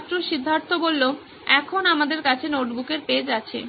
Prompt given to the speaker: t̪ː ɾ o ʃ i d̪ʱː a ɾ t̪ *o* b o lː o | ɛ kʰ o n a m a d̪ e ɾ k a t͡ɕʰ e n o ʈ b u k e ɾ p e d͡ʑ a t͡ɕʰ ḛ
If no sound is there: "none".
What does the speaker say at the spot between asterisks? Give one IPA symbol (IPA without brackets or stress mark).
o